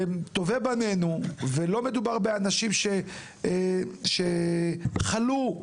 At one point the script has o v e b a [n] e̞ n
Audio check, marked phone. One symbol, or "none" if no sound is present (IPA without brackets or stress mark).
n